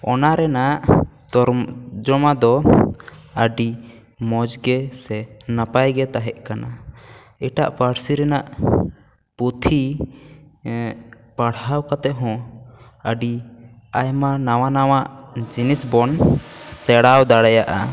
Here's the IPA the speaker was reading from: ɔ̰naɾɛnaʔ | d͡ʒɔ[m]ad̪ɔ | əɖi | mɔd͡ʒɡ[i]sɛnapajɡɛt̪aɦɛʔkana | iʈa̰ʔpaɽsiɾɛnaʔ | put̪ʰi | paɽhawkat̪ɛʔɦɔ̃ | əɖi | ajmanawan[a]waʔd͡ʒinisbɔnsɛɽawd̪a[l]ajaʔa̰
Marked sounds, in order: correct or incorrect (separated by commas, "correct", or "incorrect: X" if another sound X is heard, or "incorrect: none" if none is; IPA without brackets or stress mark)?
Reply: correct, incorrect: ɛ, correct, incorrect: ɽ